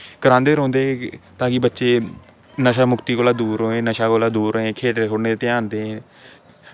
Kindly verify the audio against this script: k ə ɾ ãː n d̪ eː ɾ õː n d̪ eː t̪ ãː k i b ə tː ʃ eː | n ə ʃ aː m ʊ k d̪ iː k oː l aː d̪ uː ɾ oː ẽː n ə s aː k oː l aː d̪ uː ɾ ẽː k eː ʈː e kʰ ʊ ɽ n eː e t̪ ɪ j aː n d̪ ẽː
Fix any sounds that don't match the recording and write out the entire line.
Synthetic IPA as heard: k ə ɾ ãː n d̪ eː ɾ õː n d̪ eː t̪ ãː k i b ə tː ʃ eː | n ə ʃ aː m ʊ k t̪ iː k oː l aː d̪ uː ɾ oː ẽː n ə ʃ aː k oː l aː d̪ uː ɾ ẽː kʰ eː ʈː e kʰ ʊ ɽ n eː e t̪ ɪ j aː n d̪ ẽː